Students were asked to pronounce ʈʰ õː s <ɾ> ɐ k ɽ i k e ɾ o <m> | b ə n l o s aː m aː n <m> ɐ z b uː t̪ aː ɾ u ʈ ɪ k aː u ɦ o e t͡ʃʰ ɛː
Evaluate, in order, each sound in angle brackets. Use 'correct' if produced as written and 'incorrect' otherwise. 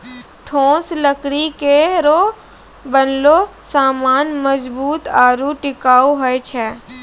incorrect: l, incorrect: none, correct

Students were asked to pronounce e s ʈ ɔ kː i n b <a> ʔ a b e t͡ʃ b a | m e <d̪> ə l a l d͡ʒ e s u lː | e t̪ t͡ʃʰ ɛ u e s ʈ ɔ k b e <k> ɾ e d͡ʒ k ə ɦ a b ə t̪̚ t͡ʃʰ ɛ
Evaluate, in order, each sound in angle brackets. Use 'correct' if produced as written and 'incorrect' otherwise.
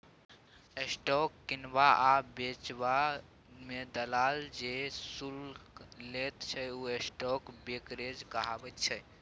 correct, correct, correct

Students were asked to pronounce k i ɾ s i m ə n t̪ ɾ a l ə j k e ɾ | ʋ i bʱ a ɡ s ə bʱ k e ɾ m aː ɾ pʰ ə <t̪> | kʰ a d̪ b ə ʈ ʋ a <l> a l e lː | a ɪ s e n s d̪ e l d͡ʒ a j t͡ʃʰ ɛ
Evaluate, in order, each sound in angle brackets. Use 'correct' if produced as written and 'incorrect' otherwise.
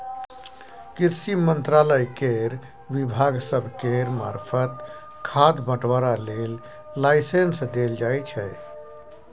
correct, incorrect: ɾ

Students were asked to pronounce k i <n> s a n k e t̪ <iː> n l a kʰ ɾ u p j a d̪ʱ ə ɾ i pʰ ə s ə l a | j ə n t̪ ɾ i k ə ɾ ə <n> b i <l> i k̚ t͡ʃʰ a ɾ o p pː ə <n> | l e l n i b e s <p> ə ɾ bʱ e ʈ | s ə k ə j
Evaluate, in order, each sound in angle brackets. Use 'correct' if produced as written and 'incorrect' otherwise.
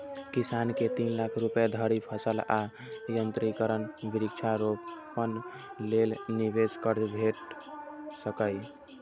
incorrect: none, incorrect: i, correct, incorrect: ɾ, correct, incorrect: k

